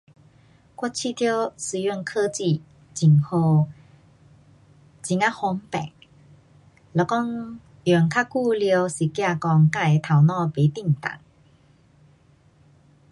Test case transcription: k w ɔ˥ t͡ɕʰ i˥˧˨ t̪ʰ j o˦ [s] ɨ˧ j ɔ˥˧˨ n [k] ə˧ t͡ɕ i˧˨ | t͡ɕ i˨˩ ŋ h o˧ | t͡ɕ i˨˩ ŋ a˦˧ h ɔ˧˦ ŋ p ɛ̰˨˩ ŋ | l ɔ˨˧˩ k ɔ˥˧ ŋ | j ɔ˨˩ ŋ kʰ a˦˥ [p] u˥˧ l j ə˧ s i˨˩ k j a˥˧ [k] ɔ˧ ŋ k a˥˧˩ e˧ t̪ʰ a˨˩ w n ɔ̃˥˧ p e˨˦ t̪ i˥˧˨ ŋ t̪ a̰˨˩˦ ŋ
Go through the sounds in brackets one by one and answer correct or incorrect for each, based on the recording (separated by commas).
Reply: correct, incorrect, incorrect, correct